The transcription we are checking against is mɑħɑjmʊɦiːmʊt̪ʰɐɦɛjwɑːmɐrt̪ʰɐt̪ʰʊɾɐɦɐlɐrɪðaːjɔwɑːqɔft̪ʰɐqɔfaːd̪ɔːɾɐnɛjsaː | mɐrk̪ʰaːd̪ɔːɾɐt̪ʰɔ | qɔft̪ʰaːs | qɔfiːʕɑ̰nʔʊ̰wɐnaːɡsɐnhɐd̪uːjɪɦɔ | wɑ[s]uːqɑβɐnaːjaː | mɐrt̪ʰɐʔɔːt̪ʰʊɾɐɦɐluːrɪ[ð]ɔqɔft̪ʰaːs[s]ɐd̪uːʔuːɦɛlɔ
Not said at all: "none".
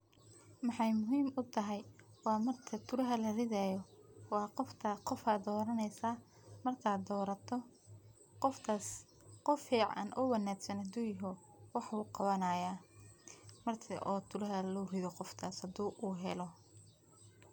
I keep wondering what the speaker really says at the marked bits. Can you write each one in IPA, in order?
ħ, ð, h

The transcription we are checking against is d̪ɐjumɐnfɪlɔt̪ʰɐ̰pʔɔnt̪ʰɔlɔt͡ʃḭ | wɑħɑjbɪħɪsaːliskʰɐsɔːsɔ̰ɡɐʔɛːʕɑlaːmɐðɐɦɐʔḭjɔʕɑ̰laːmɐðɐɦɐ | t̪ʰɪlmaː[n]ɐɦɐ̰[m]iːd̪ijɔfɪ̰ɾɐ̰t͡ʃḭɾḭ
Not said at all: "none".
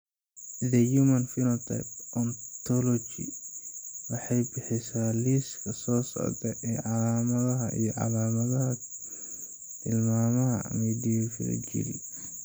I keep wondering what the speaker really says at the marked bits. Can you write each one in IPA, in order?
m, m

